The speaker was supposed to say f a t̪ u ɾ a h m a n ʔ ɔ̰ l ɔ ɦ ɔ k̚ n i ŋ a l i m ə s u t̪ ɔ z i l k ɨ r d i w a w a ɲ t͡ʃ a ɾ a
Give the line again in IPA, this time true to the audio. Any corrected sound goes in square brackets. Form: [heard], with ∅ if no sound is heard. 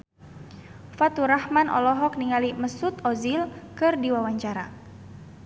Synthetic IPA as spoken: f a t̪ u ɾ a h m a n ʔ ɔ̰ l ɔ ɦ ɔ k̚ n i ŋ a l i m ə s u t̪ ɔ z i l k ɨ r d i w a w a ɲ t͡ʃ a ɾ a

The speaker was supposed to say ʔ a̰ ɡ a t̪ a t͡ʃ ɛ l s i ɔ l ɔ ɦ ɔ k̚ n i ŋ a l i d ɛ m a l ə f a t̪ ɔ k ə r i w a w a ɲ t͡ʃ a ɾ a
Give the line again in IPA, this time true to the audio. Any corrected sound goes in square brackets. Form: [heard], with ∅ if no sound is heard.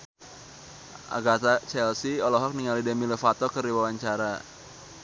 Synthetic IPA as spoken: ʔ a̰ ɡ a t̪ a t͡ʃ ɛ l s i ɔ l ɔ ɦ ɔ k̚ n i ŋ a l i d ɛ m [i] l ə f a t̪ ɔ k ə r i w a w a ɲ t͡ʃ a ɾ a

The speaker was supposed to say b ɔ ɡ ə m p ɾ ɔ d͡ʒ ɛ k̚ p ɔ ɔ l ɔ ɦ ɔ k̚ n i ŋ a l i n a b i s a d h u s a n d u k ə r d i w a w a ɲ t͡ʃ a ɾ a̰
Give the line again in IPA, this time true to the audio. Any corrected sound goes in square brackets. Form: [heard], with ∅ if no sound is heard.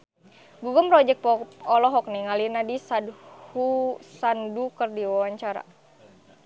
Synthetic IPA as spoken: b [u] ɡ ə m p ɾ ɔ d͡ʒ ɛ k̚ p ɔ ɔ l ɔ ɦ ɔ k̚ n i ŋ a l i n a [d] i s a d h u s a n d u k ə r d i w a w a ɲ t͡ʃ a ɾ a̰

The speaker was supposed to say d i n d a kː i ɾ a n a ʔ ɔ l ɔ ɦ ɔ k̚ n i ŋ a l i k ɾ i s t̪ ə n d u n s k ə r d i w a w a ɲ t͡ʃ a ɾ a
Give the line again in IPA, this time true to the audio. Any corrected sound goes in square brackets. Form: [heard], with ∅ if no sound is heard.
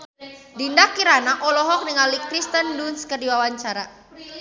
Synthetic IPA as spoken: d i n d a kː i ɾ a n a ʔ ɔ l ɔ ɦ ɔ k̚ n i ŋ a l i k ɾ i s t̪ ə n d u n s k ə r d i w a w a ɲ t͡ʃ a ɾ a

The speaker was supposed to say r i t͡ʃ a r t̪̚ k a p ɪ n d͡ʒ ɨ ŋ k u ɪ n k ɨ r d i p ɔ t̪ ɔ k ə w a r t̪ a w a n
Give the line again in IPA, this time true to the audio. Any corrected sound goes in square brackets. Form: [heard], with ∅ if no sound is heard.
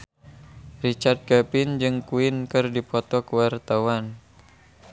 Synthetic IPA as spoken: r i t͡ʃ a r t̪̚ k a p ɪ n d͡ʒ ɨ ŋ k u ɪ n k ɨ r d i p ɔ t̪ ɔ k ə w a r t̪ a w a n

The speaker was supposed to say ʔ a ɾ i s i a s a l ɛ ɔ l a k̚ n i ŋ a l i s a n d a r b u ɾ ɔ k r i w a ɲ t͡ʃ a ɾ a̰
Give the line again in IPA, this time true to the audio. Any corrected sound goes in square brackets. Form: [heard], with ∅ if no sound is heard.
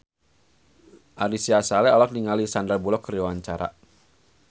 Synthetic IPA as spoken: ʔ a ɾ i s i a s a l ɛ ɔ l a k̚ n i ŋ a l i s a n d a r b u [l] ɔ k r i w a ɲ t͡ʃ a ɾ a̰

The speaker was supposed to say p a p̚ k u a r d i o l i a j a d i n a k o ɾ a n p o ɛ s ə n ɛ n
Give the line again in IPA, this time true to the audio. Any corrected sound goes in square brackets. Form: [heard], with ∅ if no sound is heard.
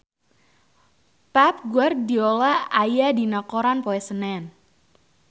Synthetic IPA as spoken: p a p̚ [ɡ] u a r d i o l [a] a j a d i n a k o ɾ a n p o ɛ s ə n ɛ n

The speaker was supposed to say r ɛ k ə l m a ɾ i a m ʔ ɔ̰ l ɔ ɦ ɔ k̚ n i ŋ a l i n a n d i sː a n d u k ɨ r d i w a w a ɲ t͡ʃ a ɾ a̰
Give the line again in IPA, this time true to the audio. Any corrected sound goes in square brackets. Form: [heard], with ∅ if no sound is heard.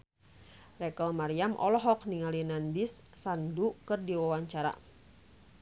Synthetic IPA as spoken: r ɛ k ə l m a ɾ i a m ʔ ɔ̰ l ɔ ɦ ɔ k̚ n i ŋ a l i n a n d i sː a n d u k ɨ r d i w a w a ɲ t͡ʃ a ɾ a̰

